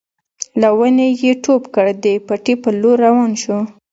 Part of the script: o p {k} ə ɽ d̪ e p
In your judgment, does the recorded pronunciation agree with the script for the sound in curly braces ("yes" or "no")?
yes